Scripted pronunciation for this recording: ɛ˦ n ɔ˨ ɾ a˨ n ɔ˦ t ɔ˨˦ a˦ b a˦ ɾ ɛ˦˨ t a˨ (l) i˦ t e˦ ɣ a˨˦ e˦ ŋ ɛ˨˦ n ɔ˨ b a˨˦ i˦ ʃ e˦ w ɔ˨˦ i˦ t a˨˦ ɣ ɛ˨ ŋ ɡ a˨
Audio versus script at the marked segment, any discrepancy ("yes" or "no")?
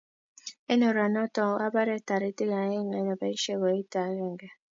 yes